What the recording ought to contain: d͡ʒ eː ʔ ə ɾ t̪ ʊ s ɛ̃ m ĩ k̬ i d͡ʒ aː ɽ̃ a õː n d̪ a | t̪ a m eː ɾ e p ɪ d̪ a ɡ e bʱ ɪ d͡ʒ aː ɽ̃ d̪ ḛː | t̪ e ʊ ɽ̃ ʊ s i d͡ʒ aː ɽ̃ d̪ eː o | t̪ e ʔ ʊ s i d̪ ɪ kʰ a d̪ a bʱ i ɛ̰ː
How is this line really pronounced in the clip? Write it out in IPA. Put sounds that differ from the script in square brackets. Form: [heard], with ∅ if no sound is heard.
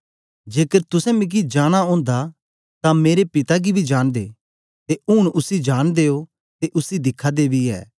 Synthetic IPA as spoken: d͡ʒ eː [k] ə ɾ t̪ ʊ s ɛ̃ m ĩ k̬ i d͡ʒ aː ɽ̃ a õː n d̪ a | t̪ a m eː ɾ e p ɪ [t̪] a ɡ [i] bʱ [i] d͡ʒ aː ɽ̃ d̪ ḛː | t̪ e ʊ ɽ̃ ʊ s i d͡ʒ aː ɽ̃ d̪ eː o | t̪ e ʔ ʊ s i d̪ ɪ kʰ a d̪ [e] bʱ i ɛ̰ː